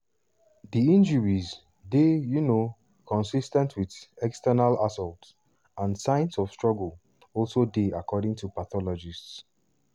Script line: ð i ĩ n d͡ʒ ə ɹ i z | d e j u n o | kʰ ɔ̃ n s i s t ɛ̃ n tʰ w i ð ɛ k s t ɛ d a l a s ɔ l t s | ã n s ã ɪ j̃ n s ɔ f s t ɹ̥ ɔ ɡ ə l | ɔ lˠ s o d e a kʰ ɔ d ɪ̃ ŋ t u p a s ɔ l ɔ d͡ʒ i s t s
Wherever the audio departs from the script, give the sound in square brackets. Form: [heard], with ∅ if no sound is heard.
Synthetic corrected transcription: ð i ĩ n d͡ʒ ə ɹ i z | d e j u n o | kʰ ɔ̃ n s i s t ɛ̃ n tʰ w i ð ɛ k s t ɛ [n] a l a s ɔ l t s | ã n s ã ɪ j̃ n s ɔ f s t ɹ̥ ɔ ɡ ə l | ɔ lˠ s o d e a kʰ ɔ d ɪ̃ ŋ t u p a [θ] ɔ l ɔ d͡ʒ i s t s